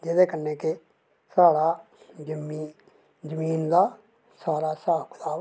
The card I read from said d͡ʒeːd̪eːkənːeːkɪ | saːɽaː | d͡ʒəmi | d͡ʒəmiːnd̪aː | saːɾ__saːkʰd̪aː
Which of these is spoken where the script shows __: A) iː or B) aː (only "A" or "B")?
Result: B